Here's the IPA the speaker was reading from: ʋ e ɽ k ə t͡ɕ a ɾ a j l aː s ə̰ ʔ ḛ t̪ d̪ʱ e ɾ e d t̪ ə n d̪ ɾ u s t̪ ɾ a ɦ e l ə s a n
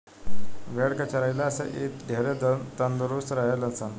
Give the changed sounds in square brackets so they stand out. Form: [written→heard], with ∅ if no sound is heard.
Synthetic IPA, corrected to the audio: ʋ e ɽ k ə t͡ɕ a ɾ a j l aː s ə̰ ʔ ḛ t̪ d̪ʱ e ɾ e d t̪ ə n d̪ ɾ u s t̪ ɾ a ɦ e l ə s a n